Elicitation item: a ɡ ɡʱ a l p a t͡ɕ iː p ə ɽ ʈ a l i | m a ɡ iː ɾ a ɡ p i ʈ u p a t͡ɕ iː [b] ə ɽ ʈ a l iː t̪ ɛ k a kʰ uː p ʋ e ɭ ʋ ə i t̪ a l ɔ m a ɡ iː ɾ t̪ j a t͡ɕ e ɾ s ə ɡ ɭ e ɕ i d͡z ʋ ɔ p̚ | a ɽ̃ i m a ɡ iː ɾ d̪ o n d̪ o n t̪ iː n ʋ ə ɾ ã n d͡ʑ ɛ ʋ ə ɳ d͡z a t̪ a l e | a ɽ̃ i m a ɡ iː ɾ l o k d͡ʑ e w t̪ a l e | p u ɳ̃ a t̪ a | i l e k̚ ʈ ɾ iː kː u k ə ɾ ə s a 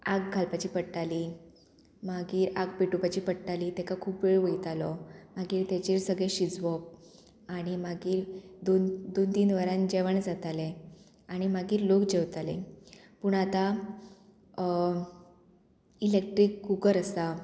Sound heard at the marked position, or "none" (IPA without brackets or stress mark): p